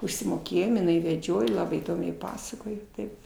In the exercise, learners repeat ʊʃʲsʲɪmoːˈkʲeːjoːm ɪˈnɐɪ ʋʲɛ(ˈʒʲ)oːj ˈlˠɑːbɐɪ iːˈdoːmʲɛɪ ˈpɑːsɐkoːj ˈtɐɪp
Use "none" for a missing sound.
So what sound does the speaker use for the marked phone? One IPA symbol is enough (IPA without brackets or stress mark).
d͡ʒʲ